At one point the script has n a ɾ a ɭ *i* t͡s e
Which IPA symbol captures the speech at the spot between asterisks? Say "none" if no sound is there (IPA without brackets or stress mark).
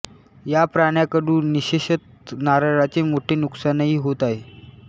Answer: a